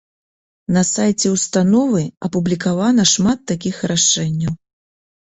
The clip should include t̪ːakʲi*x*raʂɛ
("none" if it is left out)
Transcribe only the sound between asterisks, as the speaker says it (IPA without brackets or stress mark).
x